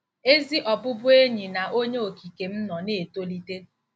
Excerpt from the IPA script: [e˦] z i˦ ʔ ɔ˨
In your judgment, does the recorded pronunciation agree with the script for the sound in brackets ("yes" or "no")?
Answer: yes